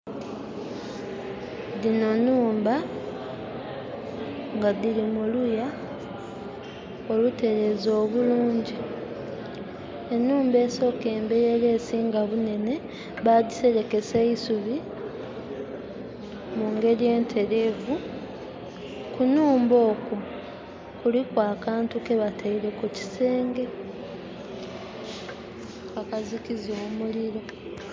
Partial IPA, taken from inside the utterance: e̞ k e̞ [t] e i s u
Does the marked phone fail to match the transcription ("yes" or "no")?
yes